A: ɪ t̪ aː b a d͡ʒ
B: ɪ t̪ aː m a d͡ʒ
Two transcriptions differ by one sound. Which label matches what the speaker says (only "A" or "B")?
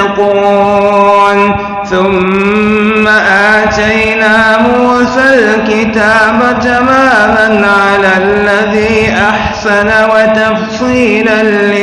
A